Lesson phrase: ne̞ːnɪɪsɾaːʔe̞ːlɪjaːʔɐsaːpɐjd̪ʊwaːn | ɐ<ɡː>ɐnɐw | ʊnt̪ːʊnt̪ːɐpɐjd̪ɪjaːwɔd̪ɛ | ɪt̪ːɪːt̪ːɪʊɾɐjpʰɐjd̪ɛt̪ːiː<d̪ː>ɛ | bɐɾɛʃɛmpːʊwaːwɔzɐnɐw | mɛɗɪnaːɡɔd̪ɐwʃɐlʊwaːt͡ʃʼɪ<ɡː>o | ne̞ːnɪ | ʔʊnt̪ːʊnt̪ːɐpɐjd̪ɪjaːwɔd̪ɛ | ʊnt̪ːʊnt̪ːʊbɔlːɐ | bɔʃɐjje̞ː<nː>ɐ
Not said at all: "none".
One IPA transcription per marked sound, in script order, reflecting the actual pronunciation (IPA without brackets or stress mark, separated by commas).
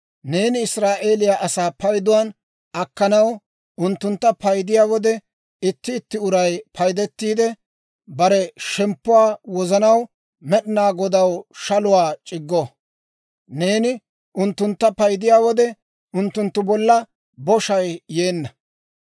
kː, d̪, ɡː, nː